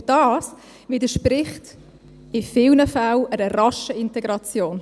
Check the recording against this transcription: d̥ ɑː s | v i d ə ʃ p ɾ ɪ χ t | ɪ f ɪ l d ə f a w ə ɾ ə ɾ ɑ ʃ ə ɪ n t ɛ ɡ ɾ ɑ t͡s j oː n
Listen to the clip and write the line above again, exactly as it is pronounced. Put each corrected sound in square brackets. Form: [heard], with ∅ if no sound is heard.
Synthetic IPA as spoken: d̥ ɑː s | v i d ə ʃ p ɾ ɪ χ t | ɪ f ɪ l [n] ə f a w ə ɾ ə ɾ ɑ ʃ ə ɪ n t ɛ ɡ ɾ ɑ t͡s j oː n